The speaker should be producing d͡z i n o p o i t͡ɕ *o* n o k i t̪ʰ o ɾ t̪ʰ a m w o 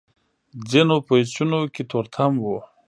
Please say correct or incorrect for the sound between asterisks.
incorrect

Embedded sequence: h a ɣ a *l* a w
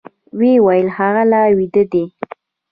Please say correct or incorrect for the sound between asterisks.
correct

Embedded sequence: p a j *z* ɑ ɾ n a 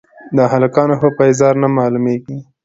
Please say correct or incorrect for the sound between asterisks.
correct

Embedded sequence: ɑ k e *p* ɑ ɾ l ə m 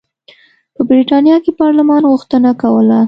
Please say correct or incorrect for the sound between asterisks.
correct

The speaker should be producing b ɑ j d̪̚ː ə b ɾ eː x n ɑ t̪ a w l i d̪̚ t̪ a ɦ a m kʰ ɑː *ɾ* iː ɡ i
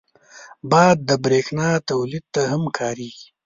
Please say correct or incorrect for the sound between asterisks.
correct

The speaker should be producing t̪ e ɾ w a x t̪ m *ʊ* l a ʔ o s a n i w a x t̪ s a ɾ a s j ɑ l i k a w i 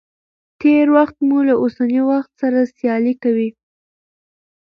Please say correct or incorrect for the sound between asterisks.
incorrect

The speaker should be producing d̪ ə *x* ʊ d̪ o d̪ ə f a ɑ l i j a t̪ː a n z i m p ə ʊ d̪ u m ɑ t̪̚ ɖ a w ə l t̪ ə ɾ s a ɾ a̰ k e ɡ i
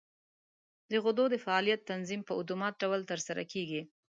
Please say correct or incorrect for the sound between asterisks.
incorrect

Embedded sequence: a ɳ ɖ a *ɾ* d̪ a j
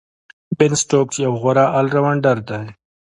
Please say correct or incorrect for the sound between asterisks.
correct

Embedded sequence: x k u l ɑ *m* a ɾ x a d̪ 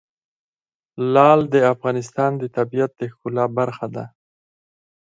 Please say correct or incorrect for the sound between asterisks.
incorrect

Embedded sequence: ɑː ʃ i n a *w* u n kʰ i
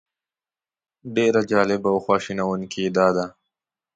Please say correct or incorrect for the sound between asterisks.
correct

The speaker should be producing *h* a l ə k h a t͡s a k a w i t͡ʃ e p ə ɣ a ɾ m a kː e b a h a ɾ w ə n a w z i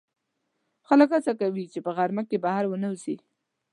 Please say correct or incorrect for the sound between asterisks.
incorrect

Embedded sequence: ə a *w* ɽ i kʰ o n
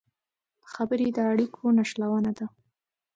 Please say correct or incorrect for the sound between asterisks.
incorrect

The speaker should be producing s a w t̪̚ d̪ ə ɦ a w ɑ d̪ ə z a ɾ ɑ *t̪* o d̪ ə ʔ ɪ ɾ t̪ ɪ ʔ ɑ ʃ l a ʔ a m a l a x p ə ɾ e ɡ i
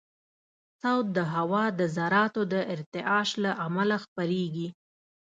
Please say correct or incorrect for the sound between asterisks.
correct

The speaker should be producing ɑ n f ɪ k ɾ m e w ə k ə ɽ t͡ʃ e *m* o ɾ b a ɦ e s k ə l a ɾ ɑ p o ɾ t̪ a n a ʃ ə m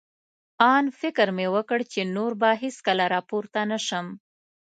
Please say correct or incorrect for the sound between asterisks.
incorrect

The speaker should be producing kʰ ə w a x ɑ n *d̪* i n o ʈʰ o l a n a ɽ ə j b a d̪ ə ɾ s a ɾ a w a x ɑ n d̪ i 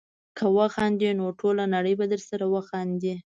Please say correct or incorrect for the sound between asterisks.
correct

